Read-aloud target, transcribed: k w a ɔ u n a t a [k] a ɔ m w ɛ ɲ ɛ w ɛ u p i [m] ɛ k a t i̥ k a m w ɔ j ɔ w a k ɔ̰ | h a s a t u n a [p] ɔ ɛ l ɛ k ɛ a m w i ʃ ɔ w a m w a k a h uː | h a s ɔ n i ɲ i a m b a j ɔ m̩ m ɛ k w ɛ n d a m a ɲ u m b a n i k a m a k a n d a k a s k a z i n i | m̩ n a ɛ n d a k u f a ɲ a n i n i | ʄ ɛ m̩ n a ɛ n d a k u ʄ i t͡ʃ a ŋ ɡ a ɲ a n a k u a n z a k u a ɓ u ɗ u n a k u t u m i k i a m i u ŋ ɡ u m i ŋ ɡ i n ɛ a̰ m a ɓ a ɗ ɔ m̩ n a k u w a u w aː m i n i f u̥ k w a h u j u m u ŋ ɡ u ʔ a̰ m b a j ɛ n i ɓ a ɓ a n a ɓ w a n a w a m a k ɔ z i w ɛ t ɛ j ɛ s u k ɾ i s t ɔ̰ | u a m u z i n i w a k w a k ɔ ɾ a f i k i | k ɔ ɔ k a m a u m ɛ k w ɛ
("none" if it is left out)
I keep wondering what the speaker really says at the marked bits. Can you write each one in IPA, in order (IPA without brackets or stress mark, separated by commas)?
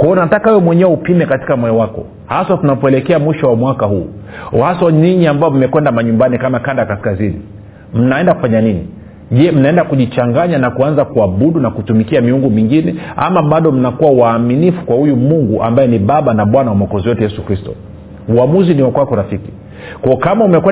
k, m, p